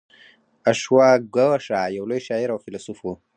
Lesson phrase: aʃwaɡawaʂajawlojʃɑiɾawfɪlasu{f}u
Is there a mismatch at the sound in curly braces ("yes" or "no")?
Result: no